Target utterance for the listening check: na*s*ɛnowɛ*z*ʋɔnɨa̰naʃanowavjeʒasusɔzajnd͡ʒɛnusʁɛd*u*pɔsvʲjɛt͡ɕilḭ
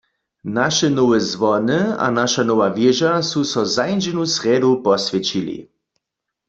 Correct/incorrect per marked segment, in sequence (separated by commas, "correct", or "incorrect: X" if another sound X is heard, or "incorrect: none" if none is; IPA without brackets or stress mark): incorrect: ʃ, correct, correct